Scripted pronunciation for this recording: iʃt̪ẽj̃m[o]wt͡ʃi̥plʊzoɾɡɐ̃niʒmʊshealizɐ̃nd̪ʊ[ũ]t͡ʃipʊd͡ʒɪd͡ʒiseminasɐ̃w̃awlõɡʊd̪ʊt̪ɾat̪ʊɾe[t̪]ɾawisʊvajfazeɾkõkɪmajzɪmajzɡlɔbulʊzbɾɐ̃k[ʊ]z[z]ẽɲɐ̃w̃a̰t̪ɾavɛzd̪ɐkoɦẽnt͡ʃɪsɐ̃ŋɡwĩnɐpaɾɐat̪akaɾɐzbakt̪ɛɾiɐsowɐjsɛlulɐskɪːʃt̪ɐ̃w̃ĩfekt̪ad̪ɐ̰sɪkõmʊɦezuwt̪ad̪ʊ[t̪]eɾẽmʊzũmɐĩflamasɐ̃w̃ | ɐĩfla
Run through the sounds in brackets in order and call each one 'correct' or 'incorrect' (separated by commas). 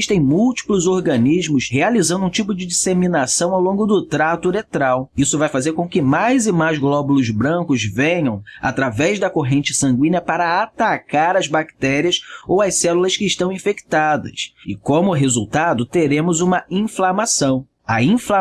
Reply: incorrect, correct, correct, correct, incorrect, correct